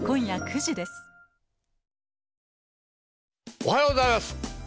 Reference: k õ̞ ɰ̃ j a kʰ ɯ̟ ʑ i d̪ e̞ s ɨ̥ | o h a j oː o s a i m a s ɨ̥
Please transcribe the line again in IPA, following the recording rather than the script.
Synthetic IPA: k õ̞ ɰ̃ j a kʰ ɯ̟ ʑ i d̪ e̞ s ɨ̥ | o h a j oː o z a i m a s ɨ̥